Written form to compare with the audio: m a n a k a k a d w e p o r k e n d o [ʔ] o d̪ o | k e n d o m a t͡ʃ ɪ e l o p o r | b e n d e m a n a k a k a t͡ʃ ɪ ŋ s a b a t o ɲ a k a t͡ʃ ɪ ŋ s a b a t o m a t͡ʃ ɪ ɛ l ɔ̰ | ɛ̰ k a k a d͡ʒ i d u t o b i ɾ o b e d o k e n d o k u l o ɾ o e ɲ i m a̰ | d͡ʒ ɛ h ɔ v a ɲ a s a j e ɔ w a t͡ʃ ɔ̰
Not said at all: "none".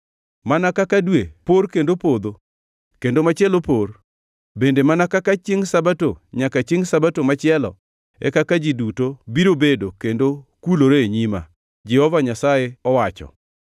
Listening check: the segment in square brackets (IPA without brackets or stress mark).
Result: p